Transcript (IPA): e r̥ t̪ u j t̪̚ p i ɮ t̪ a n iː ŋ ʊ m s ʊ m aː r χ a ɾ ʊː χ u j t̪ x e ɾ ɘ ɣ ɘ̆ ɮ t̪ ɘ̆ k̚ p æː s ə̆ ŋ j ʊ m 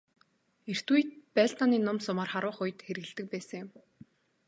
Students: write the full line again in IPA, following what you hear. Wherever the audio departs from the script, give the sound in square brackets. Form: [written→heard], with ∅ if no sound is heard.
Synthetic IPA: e r̥ t̪ u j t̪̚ p [i→æ] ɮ t̪ a n iː [ŋ→n] ʊ m s ʊ m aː r χ a ɾ ʊː χ [u→ʊ] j t̪ x e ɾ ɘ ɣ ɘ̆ ɮ t̪ ɘ̆ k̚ p æː s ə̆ ŋ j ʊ m